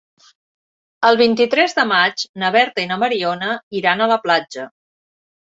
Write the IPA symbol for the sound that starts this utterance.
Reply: ə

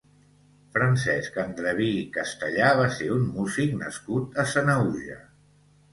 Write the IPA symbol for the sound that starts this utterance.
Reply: f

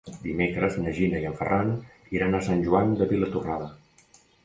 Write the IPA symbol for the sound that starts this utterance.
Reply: d̪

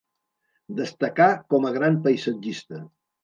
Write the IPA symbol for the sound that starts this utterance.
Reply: d̪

